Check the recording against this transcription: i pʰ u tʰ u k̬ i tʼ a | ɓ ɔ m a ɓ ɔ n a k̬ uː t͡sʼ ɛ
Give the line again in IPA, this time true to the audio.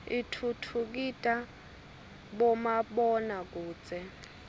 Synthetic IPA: i tʰ u tʰ u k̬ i tʼ a | ɓ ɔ m a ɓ ɔ n a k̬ uː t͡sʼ ɛ